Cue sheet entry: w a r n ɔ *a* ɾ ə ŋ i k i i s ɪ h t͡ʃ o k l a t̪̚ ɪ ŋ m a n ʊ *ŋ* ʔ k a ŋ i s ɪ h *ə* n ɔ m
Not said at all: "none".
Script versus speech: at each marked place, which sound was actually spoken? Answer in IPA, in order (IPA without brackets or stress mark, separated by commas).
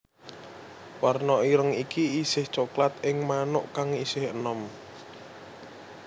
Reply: i, none, ə